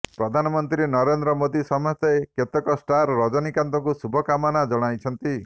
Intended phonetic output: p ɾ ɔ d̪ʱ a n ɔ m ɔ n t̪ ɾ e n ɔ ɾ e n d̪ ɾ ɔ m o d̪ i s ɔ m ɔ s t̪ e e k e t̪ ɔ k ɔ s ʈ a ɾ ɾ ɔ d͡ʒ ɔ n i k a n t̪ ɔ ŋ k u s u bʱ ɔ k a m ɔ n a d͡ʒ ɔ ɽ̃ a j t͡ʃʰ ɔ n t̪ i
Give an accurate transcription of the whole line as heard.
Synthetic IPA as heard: p ɾ ɔ d̪ʱ a n ɔ m ɔ n t̪ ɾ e n ɔ ɾ e n d̪ ɾ ɔ m o d̪ i s ɔ m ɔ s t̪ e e k e t̪ ɔ k ɔ s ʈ a ɾ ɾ ɔ d͡ʒ ɔ n i k a n t̪ ɔ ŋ k u s u bʱ ɔ k a m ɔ n a d͡ʒ ɔ ɽ̃ a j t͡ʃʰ ɔ n t̪ i